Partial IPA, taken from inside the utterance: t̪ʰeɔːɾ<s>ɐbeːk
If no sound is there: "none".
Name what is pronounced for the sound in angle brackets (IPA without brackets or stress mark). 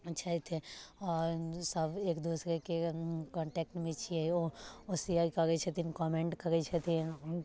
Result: s